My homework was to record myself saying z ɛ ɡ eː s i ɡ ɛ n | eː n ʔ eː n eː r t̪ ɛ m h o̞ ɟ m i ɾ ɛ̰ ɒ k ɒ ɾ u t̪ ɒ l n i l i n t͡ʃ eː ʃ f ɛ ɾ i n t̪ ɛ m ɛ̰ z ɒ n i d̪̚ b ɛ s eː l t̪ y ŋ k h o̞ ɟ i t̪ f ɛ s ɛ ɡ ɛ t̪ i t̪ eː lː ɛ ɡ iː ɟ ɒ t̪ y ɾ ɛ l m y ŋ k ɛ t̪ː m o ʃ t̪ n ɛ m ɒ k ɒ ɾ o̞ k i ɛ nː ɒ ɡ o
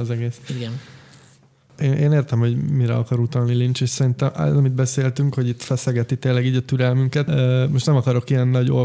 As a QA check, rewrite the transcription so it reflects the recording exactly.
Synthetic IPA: z ɛ ɡ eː s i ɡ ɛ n | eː n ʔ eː n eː r t̪ ɛ m h o̞ ɟ m i ɾ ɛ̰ ɒ k ɒ ɾ u t̪ ɒ l n i l i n t͡ʃ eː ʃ s ɛ ɾ i n t̪ ɛ m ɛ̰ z ɒ m i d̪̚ b ɛ s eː l t̪ y ŋ k h o̞ ɟ i t̪ f ɛ s ɛ ɡ ɛ t̪ i t̪ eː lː ɛ ɡ iː ɟ ɒ t̪ y ɾ ɛ l m y ŋ k ɛ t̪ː m o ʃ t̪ n ɛ m ɒ k ɒ ɾ o̞ k i ɛ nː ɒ ɟ o